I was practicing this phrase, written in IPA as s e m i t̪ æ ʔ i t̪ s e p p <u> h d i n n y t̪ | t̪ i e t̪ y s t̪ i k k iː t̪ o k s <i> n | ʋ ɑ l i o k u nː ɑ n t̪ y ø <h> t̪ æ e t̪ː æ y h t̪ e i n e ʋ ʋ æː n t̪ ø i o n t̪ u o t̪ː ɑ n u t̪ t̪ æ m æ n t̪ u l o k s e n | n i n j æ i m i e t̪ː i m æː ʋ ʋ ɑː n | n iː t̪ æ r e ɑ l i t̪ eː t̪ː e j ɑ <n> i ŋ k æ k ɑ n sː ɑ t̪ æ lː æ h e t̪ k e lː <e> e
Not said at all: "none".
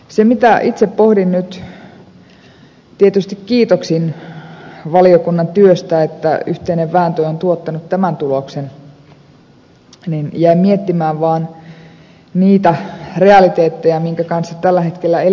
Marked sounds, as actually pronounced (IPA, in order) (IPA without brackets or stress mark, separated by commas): o, i, s, m, æ